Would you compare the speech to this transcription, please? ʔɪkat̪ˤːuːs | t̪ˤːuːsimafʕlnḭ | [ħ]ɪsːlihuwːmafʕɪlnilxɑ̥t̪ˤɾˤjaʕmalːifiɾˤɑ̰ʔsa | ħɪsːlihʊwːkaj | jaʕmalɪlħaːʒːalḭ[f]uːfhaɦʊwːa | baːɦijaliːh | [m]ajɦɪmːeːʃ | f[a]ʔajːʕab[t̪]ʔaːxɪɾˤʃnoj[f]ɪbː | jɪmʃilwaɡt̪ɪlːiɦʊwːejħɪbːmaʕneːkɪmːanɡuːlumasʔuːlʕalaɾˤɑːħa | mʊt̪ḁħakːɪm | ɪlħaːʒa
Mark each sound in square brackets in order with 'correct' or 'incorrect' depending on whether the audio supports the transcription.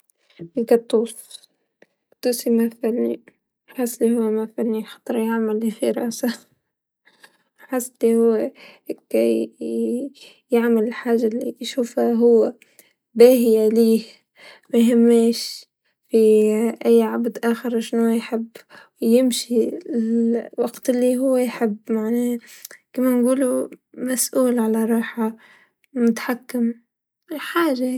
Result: correct, incorrect: ʃ, correct, incorrect: i, incorrect: d̪, incorrect: ħ

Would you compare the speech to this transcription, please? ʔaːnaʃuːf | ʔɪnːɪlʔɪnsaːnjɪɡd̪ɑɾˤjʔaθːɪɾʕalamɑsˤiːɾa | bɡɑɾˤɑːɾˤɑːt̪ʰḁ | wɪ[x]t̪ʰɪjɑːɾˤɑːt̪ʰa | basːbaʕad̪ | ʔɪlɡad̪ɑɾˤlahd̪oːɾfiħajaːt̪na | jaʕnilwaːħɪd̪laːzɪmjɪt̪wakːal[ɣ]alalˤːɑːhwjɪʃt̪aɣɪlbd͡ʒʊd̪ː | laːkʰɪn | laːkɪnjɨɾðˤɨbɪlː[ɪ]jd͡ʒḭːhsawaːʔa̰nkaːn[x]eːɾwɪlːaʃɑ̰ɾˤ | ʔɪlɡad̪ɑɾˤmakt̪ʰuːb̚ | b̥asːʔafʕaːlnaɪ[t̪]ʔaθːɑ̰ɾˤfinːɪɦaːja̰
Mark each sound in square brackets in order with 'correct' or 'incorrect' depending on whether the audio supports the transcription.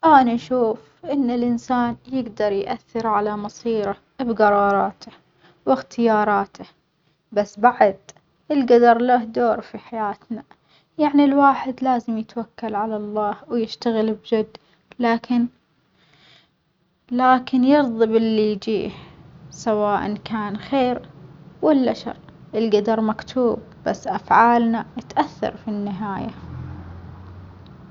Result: correct, incorrect: ʕ, incorrect: i, correct, correct

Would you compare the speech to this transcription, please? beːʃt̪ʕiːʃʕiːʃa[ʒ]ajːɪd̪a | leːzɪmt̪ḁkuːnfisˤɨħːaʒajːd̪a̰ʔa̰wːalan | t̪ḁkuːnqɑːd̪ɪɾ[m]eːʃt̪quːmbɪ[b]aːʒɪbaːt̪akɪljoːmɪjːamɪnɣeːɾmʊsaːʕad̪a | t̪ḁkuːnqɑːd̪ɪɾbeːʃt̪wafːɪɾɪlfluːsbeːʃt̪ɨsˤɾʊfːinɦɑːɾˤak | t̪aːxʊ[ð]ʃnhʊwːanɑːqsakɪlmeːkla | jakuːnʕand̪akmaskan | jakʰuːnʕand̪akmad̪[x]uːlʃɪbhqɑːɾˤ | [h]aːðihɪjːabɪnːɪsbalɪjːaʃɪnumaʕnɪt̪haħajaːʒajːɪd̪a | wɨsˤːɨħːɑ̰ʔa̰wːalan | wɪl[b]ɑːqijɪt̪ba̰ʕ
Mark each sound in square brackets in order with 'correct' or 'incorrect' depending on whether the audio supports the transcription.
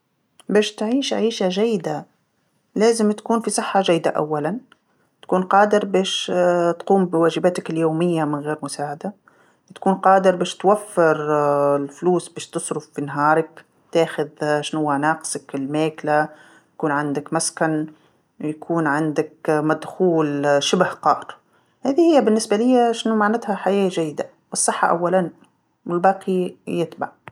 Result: correct, incorrect: b, incorrect: w, correct, correct, correct, correct

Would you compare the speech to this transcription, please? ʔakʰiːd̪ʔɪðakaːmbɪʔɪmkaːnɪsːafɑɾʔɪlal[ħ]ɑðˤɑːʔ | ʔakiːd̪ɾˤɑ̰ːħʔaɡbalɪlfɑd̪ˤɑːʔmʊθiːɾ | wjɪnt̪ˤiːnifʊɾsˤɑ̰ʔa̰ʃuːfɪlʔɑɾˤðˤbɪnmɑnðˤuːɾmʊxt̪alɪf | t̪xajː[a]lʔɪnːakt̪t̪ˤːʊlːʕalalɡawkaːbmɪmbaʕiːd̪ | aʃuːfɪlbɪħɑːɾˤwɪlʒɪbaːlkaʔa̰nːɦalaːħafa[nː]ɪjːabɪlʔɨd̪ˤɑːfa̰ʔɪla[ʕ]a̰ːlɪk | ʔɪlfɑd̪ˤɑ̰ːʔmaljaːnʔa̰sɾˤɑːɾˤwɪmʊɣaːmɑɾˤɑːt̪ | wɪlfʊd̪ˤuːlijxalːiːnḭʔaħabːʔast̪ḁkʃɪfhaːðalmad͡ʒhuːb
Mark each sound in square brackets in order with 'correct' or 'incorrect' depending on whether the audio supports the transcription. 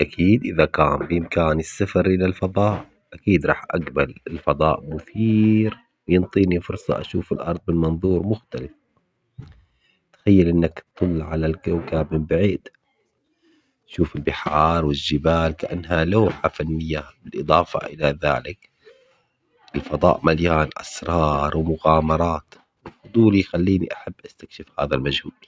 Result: incorrect: f, correct, correct, incorrect: ð

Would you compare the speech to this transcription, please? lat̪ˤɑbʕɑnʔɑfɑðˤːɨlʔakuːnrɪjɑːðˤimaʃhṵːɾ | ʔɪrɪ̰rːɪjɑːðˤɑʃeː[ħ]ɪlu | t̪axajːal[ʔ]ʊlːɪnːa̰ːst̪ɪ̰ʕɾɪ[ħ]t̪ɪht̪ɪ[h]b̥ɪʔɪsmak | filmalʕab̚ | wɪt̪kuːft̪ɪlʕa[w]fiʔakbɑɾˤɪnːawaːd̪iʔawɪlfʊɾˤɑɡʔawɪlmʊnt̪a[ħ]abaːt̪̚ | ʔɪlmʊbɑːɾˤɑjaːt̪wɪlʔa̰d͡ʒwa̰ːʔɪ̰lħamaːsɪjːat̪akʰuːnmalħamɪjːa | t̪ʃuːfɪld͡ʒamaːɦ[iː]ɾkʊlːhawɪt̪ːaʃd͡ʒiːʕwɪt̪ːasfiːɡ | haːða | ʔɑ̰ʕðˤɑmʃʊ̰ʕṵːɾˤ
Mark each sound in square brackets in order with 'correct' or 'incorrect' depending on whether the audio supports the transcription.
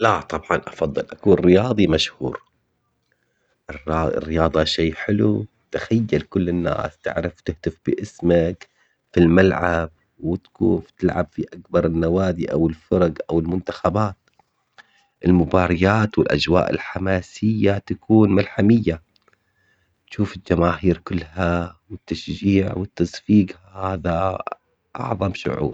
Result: correct, incorrect: k, incorrect: f, incorrect: f, incorrect: b, incorrect: x, correct

